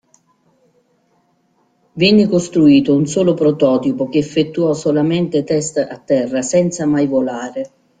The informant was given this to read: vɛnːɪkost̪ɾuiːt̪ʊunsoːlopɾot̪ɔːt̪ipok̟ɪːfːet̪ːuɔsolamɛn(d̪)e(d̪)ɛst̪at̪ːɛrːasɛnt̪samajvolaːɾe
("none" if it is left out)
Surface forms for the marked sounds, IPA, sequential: t̪, t̪

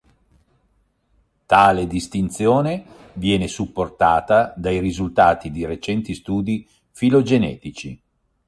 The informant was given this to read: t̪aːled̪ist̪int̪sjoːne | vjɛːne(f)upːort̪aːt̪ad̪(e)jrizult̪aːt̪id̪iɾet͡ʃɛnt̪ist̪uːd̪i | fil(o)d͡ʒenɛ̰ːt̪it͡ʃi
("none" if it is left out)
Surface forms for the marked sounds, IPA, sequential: s, a, o

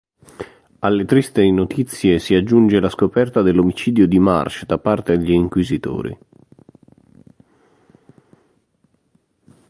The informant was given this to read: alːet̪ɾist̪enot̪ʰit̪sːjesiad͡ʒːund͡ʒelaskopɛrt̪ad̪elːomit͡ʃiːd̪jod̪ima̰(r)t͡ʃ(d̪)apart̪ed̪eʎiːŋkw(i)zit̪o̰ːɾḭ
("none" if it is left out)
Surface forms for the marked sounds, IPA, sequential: r, d̪, i

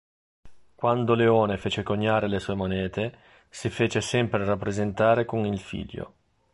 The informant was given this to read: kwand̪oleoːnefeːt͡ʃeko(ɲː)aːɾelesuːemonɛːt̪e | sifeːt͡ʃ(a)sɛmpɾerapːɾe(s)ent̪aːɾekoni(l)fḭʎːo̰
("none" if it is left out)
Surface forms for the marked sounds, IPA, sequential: ɲː, e, z, l

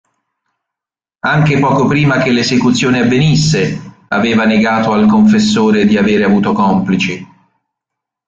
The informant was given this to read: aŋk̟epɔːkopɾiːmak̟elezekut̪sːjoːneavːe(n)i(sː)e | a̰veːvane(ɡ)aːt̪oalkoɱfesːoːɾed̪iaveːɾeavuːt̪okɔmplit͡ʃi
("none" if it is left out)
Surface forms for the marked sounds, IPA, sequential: n, sː, ɡ

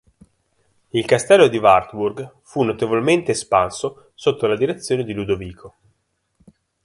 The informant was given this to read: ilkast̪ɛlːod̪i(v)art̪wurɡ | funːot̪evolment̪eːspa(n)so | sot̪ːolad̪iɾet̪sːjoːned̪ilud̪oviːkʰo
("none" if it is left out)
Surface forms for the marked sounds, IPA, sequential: v, n

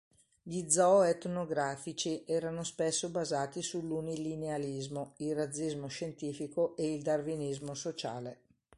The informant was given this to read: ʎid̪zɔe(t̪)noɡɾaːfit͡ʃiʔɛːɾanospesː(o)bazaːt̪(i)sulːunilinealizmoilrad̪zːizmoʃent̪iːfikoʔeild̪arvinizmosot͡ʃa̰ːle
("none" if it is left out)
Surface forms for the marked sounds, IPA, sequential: t̪, o, i

